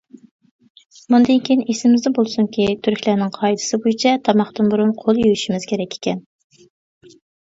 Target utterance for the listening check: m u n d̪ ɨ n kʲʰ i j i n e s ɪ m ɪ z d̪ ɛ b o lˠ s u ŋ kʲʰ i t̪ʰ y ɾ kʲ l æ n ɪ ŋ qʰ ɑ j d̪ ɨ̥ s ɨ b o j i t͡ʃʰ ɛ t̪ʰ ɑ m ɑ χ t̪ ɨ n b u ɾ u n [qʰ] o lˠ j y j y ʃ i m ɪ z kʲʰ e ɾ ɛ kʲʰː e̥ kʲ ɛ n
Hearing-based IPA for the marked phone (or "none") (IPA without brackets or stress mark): qʰ